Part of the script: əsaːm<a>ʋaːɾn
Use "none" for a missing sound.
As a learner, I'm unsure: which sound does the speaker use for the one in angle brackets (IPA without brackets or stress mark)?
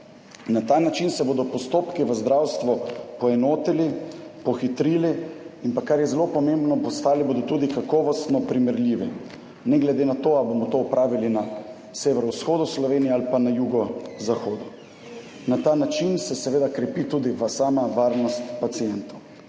a